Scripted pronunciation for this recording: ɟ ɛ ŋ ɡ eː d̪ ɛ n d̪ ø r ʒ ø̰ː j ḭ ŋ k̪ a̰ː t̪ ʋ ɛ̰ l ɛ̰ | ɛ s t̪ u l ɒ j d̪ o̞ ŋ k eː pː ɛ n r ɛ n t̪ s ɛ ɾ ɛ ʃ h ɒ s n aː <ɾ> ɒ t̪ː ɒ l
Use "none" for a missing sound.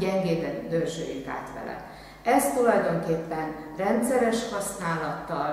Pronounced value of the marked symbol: l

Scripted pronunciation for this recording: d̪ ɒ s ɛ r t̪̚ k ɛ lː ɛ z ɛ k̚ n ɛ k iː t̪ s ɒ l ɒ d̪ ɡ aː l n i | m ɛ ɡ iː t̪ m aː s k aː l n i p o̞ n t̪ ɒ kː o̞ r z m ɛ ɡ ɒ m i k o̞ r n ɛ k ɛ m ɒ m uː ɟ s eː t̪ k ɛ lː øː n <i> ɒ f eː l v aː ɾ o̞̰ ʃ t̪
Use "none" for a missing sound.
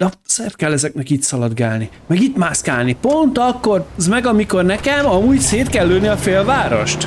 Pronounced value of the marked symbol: i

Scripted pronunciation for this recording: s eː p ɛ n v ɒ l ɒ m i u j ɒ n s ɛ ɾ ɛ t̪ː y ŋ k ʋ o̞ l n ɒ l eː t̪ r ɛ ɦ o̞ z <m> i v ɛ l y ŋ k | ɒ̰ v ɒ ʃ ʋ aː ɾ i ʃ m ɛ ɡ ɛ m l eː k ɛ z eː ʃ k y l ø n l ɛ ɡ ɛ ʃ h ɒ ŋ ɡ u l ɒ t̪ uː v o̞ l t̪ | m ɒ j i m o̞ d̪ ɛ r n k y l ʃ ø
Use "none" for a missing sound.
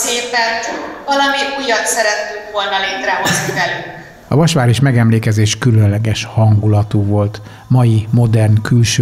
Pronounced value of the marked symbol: n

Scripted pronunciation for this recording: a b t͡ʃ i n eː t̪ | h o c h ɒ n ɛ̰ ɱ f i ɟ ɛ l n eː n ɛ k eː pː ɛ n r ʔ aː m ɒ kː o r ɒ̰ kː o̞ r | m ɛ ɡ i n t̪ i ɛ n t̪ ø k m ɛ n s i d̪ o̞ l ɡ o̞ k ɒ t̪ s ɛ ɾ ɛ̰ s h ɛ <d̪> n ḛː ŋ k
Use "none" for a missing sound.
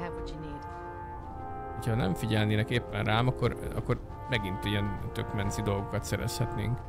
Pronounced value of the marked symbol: t̪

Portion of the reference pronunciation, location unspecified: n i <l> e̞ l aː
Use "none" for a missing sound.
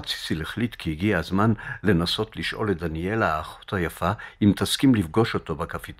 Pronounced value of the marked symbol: none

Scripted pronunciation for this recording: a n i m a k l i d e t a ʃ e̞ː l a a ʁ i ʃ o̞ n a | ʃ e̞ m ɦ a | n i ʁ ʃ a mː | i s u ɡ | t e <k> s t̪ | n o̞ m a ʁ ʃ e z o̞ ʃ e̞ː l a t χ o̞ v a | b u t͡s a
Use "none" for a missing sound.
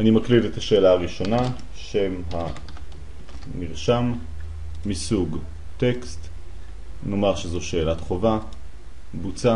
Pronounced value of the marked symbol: k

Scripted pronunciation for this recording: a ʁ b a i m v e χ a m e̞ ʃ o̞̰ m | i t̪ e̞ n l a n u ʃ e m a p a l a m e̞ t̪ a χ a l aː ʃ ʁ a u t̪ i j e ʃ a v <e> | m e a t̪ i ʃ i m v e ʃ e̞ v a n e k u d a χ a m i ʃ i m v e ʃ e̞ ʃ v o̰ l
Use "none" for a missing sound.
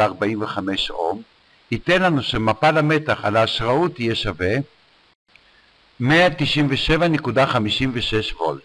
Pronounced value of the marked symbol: e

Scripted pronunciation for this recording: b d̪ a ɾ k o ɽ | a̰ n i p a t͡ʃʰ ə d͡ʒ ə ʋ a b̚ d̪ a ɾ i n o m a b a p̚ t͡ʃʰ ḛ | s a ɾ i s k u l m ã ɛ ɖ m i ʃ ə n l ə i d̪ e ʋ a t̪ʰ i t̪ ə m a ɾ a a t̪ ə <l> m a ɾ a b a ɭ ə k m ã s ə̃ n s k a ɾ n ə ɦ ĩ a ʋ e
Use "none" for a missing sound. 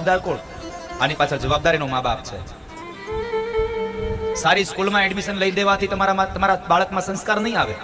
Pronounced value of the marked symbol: none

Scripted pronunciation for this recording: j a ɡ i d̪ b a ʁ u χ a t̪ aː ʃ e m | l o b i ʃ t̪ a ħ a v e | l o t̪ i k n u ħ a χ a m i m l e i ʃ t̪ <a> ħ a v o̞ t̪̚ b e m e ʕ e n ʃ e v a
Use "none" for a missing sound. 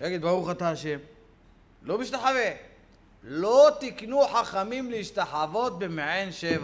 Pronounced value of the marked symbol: a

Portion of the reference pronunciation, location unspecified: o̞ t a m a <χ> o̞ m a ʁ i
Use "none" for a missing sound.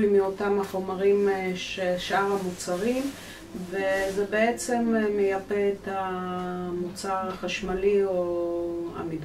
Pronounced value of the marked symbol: χ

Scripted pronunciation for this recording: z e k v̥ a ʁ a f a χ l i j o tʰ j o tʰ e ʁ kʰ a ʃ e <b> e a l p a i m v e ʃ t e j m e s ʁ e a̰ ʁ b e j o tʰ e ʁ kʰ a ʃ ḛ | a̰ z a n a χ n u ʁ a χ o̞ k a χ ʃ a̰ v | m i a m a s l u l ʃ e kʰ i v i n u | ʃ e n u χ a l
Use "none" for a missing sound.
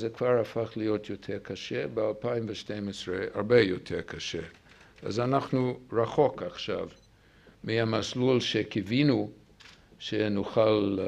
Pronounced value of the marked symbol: b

